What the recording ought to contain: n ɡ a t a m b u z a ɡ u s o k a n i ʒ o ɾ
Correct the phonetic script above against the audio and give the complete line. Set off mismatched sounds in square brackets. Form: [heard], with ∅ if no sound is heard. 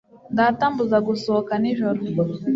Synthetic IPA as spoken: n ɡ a t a m b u z a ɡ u s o k a n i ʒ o ɾ

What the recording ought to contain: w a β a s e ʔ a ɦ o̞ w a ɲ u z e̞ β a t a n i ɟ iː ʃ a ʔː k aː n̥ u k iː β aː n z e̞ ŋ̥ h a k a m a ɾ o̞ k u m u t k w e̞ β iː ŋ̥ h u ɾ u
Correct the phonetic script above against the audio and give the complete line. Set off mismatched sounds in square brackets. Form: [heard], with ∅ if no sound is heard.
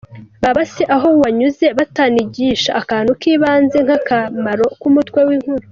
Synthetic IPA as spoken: [β] a β a s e ʔ a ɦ o̞ w a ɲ u z e̞ β a t a n i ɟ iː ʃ a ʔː k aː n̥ u k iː β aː n z e̞ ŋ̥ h a k a m a ɾ o̞ k u m u t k w e̞ [w] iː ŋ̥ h u ɾ u

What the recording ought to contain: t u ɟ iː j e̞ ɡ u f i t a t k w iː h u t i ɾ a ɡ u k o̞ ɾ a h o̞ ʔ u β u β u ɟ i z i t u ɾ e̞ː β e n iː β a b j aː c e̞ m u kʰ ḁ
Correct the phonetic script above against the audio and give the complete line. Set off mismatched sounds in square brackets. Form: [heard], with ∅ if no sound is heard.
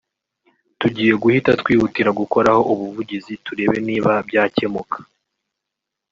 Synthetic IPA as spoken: t u ɟ iː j e̞ ɡ u [h] i t a t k w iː h u t i ɾ a ɡ u k o̞ ɾ a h o̞ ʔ u β u [v] u ɟ i z i t u ɾ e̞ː β e n iː β a b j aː c e̞ m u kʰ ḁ

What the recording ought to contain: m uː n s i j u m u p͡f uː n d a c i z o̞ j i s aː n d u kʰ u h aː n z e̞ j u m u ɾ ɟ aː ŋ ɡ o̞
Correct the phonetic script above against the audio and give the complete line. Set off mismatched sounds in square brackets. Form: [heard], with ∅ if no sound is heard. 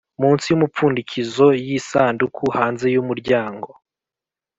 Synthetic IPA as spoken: m uː n s i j u m u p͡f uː n d [i] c i z o̞ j i s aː n d u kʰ u h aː n z e̞ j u m u ɾ ɟ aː ŋ ɡ o̞

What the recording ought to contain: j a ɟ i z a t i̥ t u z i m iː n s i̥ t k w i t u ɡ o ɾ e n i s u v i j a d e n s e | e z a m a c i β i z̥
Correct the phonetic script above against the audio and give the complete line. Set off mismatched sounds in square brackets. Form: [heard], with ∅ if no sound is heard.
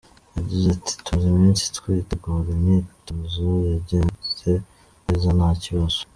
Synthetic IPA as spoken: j a ɟ i z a t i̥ t u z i m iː n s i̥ t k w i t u ɡ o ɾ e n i [t] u [z] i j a [ɟ] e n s e | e z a [n] a c i β [a] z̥

